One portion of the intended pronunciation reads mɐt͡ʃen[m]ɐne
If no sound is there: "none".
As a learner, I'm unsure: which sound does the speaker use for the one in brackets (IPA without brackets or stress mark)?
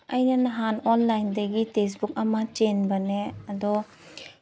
b